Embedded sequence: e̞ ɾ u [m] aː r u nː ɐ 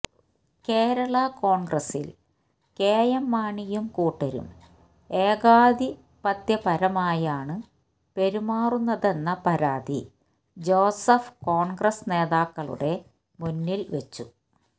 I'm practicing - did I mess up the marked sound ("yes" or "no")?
no